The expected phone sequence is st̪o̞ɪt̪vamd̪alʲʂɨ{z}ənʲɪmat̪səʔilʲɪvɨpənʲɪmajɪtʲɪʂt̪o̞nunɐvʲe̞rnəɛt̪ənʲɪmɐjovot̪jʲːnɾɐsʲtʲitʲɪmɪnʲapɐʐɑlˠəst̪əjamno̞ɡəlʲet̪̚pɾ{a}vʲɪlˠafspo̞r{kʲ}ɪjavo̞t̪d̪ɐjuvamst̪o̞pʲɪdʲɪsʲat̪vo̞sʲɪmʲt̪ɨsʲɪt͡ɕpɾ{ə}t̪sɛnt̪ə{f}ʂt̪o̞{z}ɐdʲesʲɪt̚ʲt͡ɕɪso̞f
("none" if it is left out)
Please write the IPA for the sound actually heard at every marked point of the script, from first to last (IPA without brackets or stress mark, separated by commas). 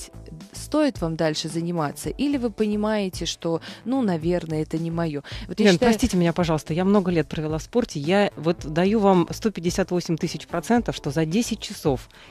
z, ə, tʲ, ɐ, f, z